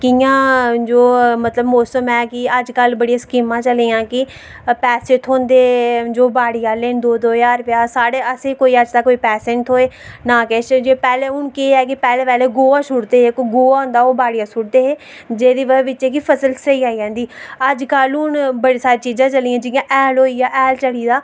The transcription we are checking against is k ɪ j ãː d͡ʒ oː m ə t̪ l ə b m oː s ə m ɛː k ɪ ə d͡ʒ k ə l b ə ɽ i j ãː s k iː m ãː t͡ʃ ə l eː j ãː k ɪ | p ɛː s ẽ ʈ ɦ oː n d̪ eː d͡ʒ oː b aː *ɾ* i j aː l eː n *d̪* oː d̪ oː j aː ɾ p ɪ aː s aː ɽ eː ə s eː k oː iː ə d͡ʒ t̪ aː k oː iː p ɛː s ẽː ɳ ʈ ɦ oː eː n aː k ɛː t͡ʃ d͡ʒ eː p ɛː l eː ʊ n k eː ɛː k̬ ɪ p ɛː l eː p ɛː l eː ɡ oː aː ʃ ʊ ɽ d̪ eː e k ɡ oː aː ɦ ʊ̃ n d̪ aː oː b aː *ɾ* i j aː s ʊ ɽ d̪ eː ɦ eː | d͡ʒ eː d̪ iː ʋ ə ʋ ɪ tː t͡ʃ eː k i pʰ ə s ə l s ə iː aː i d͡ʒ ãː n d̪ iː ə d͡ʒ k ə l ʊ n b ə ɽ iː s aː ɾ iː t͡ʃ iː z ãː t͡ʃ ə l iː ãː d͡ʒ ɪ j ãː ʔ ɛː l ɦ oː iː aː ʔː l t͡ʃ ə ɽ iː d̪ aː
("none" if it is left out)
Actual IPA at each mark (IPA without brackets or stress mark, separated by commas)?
ɽ, d̪, ɽ